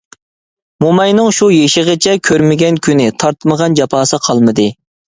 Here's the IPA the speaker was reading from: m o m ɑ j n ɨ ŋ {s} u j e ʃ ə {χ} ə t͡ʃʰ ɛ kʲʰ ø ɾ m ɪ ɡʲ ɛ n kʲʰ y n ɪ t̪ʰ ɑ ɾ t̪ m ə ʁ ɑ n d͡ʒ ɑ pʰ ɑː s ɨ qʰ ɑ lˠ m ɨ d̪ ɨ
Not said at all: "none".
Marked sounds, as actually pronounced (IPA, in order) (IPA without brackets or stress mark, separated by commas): ʃ, ʁ